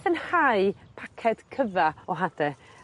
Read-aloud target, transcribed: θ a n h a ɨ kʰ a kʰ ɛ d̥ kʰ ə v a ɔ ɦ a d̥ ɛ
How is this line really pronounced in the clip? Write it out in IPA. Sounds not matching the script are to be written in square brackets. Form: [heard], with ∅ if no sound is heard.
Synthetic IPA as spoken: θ [ə] n h a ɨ [pʰ] a kʰ ɛ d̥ kʰ ə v a ɔ ɦ a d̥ ɛ